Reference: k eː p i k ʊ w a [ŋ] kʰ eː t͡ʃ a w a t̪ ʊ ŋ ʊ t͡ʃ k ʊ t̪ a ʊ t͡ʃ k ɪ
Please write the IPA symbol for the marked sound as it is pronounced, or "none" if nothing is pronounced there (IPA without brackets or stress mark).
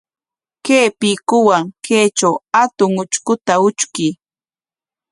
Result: ŋ